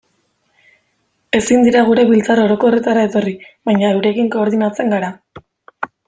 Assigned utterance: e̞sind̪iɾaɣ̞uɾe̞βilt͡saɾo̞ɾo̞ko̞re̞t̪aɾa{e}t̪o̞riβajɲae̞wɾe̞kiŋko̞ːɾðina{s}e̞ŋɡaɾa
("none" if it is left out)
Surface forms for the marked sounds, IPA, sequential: e, t͡s

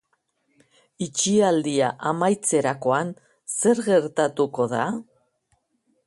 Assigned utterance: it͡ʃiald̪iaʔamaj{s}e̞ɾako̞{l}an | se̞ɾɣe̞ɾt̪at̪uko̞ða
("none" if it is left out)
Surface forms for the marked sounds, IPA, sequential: t͡s, none

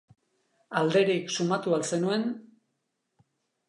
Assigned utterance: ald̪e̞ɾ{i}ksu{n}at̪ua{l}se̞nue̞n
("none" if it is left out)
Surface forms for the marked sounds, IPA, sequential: i, m, l

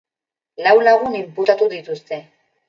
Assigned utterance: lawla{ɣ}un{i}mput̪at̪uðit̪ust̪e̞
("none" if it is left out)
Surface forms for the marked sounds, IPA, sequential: ɣ, i

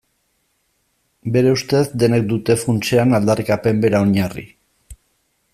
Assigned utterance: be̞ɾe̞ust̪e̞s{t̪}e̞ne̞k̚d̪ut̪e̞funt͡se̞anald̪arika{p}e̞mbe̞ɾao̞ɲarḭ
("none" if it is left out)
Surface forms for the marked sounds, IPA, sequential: d̪, p

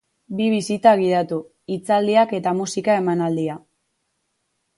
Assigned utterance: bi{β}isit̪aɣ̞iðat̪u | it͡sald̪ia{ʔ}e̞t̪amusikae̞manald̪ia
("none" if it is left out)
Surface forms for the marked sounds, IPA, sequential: β, k

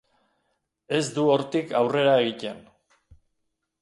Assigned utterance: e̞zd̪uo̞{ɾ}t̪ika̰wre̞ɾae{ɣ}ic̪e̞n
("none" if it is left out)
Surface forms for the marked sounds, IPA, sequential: ɾ, ɣ

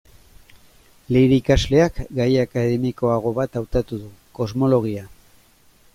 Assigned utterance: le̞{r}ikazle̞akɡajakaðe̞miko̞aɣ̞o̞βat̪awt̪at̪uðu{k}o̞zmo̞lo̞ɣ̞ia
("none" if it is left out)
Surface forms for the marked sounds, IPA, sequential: ɾ, k

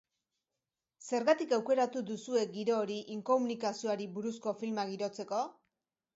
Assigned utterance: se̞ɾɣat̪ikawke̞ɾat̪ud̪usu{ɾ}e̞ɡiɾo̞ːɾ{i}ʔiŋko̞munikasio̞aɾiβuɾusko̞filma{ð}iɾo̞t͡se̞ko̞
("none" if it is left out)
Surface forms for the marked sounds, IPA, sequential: none, i, ɣ

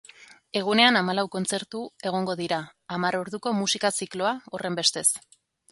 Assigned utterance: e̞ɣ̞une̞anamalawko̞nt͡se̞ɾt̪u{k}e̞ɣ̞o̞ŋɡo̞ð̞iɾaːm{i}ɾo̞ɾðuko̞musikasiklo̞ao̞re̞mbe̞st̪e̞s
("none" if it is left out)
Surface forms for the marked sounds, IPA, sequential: none, a

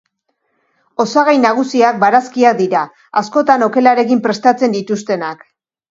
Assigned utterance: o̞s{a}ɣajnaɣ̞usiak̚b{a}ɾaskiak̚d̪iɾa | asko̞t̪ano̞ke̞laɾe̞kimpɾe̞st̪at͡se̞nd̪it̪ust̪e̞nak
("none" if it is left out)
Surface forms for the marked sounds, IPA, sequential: a, a

